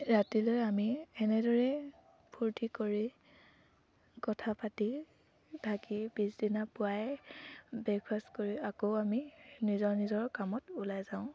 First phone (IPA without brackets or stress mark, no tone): ɹ